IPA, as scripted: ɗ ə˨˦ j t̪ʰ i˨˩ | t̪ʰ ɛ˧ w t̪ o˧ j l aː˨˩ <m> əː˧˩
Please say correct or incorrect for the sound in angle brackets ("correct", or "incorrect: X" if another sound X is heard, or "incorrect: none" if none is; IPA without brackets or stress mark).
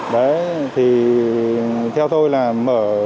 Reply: correct